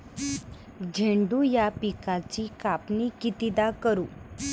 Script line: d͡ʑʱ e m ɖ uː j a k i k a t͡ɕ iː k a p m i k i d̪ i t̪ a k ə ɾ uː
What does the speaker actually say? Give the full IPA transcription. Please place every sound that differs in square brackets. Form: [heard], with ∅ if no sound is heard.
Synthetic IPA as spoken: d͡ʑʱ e [ɳ] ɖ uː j a [p] i k a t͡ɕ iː k a p [n] i k i [t̪] i [d̪] a k ə ɾ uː